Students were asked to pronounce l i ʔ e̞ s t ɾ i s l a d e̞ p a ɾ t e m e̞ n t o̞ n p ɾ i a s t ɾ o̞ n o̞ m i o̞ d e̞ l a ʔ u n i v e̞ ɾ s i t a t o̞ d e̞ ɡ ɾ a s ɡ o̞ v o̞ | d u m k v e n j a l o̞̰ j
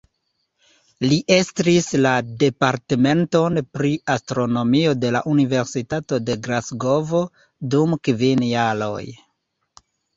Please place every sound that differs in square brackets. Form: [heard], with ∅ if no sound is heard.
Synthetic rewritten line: l i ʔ e̞ s t ɾ i s l a d e̞ p a ɾ t e m e̞ n t o̞ n p ɾ i a s t ɾ o̞ n o̞ m i o̞ d e̞ l a ʔ u n i v e̞ ɾ s i t a t o̞ d e̞ ɡ ɾ a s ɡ o̞ v o̞ | d u m k v [i] n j a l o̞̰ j